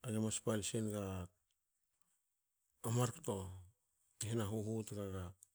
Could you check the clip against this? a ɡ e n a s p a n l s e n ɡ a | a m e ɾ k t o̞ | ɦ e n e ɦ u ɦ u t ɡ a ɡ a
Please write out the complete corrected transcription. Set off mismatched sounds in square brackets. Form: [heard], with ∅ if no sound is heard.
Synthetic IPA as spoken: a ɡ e [m] a s p a [∅] l s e n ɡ a | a m [a] ɾ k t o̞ | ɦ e n [a] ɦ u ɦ u t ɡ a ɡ a

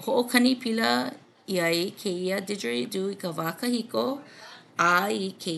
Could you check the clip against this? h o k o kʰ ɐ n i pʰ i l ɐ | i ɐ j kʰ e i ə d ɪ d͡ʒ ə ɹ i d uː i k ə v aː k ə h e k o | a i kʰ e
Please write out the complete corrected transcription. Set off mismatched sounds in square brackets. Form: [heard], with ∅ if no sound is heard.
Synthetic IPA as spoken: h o [ʔ] o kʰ ɐ n i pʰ i l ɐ | i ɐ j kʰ e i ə d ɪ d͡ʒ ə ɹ i d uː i k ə v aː k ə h [i] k o | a i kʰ e

